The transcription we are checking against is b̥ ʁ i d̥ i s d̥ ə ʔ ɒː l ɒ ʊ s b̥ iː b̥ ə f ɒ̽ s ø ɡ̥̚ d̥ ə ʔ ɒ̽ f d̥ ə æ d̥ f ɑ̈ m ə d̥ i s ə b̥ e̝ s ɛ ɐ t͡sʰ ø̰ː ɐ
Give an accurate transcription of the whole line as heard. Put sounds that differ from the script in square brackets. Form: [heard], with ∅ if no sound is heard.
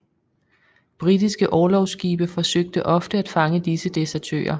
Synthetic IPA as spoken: b̥ ʁ i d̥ i s [ɡ̥] ə ʔ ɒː l ɒ ʊ s [ɡ̥] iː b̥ ə f ɒ̽ s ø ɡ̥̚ d̥ ə ʔ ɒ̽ f d̥ ə æ d̥ f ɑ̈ [ŋ] ə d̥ i s ə [d̥] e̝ s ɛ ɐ t͡sʰ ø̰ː ɐ